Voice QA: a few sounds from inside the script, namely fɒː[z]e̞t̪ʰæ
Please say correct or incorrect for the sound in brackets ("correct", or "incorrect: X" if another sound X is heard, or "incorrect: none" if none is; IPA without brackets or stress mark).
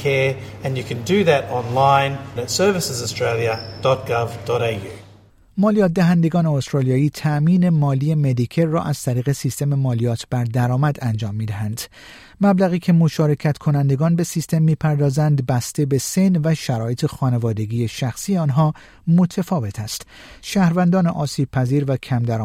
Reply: incorrect: v